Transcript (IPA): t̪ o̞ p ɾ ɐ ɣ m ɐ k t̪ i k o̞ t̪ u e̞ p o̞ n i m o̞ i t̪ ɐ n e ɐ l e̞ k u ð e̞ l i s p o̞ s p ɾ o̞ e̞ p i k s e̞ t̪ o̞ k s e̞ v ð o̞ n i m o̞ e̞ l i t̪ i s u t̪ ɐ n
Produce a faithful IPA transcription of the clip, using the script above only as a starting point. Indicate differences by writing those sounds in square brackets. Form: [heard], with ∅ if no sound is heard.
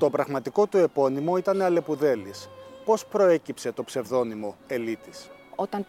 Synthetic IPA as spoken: t̪ o̞ p ɾ ɐ ɣ m ɐ [∅] t̪ i k o̞ t̪ u e̞ p o̞ n i m o̞ i t̪ ɐ n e ɐ l e̞ [p] u ð e̞ l i s p o̞ s p ɾ o̞ e̞ [c] i [p] s e̞ t̪ o̞ [p] s e̞ v ð o̞ n i m o̞ e̞ l i t̪ i s [o] t̪ ɐ n